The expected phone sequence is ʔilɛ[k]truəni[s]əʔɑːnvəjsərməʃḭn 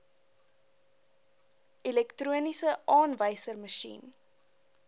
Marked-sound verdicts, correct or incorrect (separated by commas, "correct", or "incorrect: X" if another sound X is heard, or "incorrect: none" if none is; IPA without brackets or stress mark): correct, correct